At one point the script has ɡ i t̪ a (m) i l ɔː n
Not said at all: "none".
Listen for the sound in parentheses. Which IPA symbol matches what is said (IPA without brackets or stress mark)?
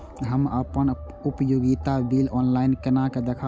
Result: b